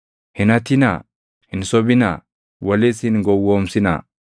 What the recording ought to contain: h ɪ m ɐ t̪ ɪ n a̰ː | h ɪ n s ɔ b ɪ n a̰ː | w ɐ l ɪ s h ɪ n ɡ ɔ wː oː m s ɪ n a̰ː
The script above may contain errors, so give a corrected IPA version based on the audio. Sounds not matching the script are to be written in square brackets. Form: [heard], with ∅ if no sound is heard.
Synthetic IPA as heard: h ɪ [n] ɐ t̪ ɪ n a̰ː | h ɪ n s ɔ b ɪ n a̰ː | w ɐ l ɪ s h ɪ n ɡ ɔ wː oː m s ɪ n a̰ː

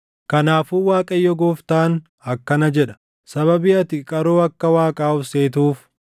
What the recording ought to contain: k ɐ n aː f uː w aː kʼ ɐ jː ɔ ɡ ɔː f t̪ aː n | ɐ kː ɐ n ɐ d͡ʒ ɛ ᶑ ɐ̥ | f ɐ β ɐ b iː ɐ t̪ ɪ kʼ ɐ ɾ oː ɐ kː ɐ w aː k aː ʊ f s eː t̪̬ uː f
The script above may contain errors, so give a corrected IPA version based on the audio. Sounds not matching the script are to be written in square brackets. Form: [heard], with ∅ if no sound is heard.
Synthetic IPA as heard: k ɐ n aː f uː w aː kʼ ɐ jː ɔ ɡ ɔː f t̪ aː n | ɐ kː ɐ n ɐ d͡ʒ ɛ ᶑ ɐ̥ | [s] ɐ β ɐ b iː ɐ t̪ ɪ kʼ ɐ ɾ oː ɐ kː ɐ w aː [kʼ] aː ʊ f s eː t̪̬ uː f

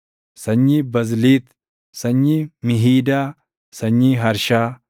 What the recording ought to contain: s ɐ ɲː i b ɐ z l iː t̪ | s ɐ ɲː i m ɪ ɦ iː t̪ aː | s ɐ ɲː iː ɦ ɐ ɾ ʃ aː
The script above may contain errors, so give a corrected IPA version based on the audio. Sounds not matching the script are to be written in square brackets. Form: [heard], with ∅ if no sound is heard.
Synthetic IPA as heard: s ɐ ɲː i b ɐ z l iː t̪ | s ɐ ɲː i m ɪ ɦ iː [d̪] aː | s ɐ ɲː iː ɦ ɐ ɾ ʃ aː

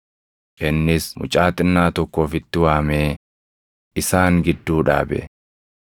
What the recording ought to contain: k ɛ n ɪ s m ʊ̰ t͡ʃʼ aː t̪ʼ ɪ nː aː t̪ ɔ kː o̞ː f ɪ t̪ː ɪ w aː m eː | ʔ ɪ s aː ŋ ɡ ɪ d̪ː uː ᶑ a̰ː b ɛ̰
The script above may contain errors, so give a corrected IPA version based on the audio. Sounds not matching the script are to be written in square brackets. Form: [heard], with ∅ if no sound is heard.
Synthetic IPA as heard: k ɛ [nː] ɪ s m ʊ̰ t͡ʃʼ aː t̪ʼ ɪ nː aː t̪ ɔ kː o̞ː f ɪ t̪ː ɪ w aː m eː | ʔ ɪ s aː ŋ ɡ ɪ d̪ː uː ᶑ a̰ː b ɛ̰

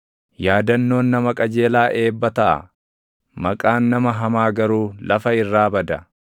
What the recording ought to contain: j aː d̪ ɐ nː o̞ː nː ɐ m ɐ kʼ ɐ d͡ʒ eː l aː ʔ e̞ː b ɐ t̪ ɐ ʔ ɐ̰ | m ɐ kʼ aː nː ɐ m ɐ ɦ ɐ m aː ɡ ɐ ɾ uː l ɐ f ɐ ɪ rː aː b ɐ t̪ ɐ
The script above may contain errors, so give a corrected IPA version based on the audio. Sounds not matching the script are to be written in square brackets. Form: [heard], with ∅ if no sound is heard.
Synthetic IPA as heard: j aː d̪ ɐ nː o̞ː nː ɐ m ɐ kʼ ɐ d͡ʒ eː l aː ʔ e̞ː [bː] ɐ t̪ ɐ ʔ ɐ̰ | m ɐ kʼ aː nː ɐ m ɐ ɦ ɐ m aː ɡ ɐ ɾ uː l ɐ f ɐ ɪ rː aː b ɐ [d̪] ɐ

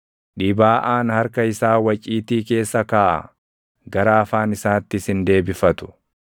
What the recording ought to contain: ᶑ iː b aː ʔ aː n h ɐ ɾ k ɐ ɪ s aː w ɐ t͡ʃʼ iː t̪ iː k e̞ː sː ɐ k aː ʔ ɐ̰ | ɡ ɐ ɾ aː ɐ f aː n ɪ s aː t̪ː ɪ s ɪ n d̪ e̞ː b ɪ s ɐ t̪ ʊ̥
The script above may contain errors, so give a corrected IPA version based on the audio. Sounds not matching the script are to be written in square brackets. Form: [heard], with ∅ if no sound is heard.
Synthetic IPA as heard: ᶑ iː b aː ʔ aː n h ɐ ɾ k ɐ ɪ s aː w ɐ t͡ʃʼ iː t̪ iː k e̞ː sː ɐ k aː ʔ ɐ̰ | ɡ ɐ ɾ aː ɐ f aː n ɪ s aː t̪ː ɪ s ɪ n d̪ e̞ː b ɪ [f] ɐ t̪ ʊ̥

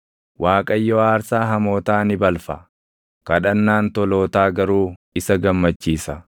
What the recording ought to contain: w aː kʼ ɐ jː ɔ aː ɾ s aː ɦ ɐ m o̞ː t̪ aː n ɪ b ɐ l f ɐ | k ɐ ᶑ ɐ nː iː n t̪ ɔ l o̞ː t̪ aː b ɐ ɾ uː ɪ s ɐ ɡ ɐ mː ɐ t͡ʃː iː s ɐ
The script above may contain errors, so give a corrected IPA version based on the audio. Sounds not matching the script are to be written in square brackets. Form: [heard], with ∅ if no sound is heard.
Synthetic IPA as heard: w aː kʼ ɐ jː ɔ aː ɾ s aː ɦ ɐ m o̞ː t̪ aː n ɪ b ɐ l f ɐ | k ɐ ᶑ ɐ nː [aː] n t̪ ɔ l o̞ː t̪ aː [ɡ] ɐ ɾ uː ɪ s ɐ ɡ ɐ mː ɐ t͡ʃː iː s ɐ

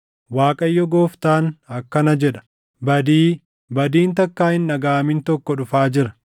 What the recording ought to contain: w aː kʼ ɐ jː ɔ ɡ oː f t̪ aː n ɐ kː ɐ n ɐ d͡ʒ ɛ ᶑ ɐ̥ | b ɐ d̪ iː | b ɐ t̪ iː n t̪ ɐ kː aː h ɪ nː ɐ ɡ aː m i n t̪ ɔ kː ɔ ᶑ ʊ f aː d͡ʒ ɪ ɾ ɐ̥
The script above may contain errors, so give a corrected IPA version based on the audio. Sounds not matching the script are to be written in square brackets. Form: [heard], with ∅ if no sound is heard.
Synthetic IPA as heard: w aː kʼ ɐ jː ɔ ɡ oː f t̪ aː n ɐ kː ɐ n ɐ d͡ʒ ɛ ᶑ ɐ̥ | b ɐ d̪ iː | b ɐ [d̪] iː n t̪ ɐ kː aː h ɪ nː ɐ ɡ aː m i n t̪ ɔ kː ɔ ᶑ ʊ f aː d͡ʒ ɪ ɾ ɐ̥

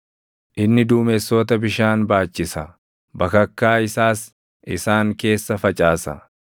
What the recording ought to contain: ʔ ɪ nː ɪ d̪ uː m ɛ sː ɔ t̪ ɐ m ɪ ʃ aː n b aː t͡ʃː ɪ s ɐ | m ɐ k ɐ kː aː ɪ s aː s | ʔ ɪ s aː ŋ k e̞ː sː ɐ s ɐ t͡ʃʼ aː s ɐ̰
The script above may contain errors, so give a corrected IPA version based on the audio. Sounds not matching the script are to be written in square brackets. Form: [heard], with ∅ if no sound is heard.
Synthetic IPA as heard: ʔ ɪ nː ɪ d̪ uː m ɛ sː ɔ t̪ ɐ [b] ɪ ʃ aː n b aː t͡ʃː ɪ s ɐ | [b] ɐ k ɐ kː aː ɪ s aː s | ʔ ɪ s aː ŋ k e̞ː sː ɐ [f] ɐ t͡ʃʼ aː s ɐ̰

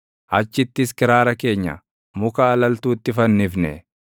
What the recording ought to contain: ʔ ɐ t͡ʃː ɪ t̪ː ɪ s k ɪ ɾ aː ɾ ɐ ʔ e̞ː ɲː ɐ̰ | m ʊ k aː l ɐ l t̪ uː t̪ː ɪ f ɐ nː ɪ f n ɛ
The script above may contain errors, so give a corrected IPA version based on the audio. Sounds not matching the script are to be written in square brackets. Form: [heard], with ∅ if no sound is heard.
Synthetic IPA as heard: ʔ ɐ t͡ʃː ɪ t̪ː ɪ s k ɪ ɾ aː ɾ ɐ [k] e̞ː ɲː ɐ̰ | m ʊ k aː l ɐ l t̪ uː t̪ː ɪ f ɐ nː ɪ f n ɛ

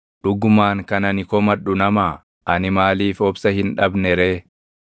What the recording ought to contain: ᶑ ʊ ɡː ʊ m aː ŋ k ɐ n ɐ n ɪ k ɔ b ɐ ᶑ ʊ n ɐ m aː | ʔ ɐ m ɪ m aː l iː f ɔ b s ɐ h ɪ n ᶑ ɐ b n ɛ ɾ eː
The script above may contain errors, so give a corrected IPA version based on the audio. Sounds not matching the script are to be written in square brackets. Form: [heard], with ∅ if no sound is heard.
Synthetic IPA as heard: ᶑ ʊ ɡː ʊ m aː ŋ k ɐ n ɐ n ɪ k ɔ [m] ɐ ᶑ ʊ n ɐ m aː | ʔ ɐ [n] ɪ m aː l iː f ɔ b s ɐ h ɪ n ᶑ ɐ b n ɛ ɾ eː

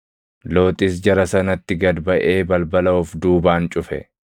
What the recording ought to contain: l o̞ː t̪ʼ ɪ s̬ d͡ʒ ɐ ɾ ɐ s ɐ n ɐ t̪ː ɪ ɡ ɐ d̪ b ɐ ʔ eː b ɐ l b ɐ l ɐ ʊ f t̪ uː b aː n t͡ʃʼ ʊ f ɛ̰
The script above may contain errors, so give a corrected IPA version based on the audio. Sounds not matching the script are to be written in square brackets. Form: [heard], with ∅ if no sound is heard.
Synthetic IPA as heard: l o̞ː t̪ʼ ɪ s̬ d͡ʒ ɐ ɾ ɐ s ɐ n ɐ t̪ː ɪ ɡ ɐ d̪ b ɐ ʔ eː b ɐ l b ɐ l ɐ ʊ f [d̪] uː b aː n t͡ʃʼ ʊ f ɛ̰

